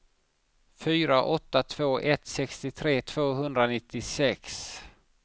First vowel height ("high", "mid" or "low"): high